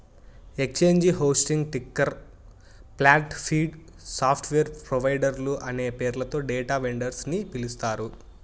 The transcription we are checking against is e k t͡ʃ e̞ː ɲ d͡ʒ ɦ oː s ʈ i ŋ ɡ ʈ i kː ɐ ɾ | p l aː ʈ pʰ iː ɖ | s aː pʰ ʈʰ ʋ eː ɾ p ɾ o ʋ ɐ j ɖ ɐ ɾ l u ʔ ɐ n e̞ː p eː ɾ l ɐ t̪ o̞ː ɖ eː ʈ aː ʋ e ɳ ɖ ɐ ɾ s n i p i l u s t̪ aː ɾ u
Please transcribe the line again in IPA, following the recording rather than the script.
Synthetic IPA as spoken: e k t͡ʃ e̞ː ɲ d͡ʒ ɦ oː s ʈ i ŋ ɡ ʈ i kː ɐ ɾ | p l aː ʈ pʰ iː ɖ | s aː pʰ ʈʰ ʋ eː ɾ p ɾ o ʋ ɐ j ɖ ɐ ɾ l u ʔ ɐ n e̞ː p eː ɾ l ɐ t̪ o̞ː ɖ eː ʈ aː ʋ e ɳ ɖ ɐ ɾ s n i p i l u s t̪ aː ɾ u